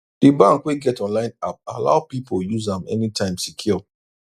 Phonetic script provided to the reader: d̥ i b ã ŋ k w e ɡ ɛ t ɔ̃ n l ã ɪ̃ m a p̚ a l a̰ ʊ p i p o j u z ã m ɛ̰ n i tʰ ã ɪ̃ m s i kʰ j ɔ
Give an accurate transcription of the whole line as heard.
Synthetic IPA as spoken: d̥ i b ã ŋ k w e ɡ ɛ t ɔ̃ n l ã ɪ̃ n a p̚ a l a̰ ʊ p i p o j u z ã m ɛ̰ n i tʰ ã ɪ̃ m s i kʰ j ɔ